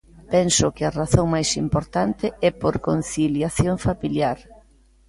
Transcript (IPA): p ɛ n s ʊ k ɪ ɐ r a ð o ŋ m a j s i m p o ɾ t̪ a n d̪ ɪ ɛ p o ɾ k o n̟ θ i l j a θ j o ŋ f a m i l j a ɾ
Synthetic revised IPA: p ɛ n s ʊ k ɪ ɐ r a θ o ŋ m a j s i m p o ɾ t̪ a n t̪ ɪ ɛ p o ɾ k o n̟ θ i l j a θ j o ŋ f a m i l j a ɾ